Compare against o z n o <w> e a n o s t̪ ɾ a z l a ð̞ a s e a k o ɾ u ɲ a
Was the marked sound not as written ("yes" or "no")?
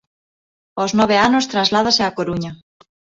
yes